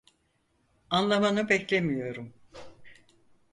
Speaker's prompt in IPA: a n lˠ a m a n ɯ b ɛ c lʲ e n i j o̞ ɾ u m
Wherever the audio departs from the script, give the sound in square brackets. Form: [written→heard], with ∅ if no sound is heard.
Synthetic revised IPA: a n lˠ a m a n ɯ b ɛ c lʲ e [n→m] i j o̞ ɾ u m